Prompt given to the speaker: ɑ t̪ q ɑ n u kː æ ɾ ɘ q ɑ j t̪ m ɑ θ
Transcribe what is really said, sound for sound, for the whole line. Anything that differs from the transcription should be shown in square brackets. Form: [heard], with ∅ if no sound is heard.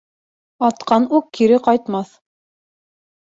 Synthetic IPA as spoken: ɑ t̪ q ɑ n u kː [i] ɾ ɘ q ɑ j t̪ m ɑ θ